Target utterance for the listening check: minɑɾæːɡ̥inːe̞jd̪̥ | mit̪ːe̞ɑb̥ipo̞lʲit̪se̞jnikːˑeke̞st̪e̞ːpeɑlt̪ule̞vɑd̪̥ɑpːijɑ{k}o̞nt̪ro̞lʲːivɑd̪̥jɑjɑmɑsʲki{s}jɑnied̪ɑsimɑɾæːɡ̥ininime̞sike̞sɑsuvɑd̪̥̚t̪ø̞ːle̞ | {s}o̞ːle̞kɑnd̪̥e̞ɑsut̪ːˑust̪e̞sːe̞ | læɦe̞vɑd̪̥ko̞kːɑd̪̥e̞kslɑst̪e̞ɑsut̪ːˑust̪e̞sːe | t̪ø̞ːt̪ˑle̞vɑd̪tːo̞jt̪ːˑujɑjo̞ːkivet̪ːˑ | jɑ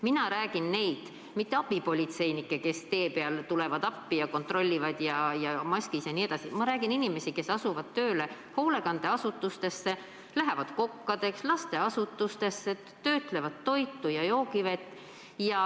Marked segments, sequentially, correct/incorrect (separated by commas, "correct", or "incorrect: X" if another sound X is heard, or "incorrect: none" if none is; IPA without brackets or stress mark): correct, correct, incorrect: h